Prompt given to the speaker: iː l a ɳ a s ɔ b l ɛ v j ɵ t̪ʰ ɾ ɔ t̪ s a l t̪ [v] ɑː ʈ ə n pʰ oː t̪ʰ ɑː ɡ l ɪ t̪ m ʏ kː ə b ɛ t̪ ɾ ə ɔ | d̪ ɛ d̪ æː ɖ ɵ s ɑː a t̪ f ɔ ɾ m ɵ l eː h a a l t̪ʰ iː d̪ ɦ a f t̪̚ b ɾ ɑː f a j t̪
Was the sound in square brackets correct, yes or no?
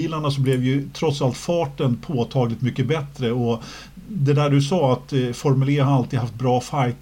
no